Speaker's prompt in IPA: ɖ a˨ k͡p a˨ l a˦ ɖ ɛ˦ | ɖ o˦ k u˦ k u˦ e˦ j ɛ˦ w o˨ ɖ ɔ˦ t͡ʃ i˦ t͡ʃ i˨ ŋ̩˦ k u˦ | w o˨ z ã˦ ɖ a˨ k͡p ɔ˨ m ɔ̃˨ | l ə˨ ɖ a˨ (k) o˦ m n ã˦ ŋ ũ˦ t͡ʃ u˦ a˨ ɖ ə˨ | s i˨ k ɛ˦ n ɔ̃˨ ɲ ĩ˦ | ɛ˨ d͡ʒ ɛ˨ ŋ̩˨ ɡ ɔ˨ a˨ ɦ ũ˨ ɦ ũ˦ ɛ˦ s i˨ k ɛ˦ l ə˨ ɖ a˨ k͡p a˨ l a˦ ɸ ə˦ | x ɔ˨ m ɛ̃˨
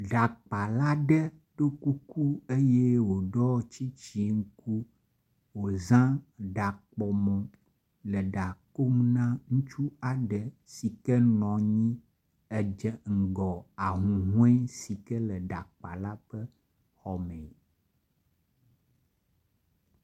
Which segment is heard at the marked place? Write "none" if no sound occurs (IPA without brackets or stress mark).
k